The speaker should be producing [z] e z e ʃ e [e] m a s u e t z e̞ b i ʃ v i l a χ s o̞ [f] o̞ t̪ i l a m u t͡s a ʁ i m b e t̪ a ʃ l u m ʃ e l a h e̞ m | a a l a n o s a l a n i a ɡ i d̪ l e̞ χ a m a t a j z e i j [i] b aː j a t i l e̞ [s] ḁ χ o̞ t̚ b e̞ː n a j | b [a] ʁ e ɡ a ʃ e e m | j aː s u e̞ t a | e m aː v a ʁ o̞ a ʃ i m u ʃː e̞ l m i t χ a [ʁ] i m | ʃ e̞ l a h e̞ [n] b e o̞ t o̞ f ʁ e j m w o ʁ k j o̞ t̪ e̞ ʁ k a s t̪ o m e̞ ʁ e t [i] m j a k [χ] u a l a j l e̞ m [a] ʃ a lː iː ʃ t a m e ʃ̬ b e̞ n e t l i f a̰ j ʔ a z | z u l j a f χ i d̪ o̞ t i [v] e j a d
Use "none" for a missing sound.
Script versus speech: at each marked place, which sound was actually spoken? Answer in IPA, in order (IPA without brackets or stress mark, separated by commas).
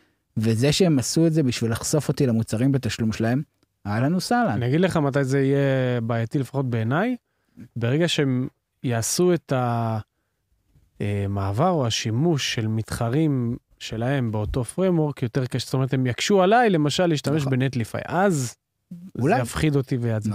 v, e, f, e, f, e, ʁ, m, e, ʃ, a, v